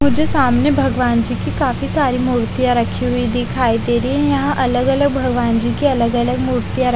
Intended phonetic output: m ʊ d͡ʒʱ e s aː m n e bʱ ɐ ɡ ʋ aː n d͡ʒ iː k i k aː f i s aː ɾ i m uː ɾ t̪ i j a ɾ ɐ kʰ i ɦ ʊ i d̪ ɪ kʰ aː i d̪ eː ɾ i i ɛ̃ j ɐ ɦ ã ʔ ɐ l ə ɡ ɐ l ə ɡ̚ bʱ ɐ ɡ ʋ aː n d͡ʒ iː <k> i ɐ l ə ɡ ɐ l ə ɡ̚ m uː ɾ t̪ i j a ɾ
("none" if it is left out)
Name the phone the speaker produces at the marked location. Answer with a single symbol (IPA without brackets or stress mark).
k